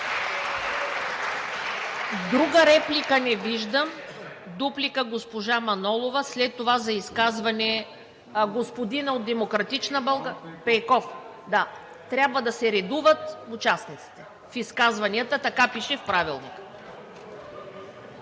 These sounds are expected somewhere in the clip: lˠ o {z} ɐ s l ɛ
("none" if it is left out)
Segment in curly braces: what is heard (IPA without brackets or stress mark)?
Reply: v